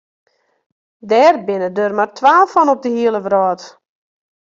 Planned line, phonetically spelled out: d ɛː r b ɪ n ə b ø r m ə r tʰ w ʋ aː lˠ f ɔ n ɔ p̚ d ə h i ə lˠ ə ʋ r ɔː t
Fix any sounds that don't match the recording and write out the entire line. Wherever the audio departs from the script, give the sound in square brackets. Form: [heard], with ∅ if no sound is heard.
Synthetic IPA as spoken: d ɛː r b ɪ n ə [d] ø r m [a] r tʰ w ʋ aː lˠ f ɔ n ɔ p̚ d ə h i ə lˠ ə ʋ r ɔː t